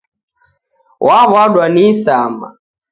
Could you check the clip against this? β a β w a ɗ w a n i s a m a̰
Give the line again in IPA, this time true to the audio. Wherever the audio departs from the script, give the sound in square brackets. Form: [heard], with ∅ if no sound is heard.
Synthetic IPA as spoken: [w] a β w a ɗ w a n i s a m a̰